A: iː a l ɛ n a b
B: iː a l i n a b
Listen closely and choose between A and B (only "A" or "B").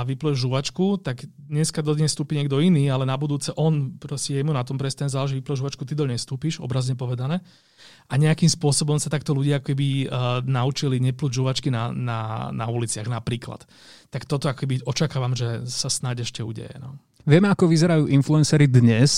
A